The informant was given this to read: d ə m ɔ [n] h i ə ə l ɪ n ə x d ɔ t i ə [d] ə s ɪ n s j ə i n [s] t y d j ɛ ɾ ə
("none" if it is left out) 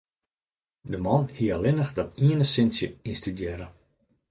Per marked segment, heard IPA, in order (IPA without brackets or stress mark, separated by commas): n, n, s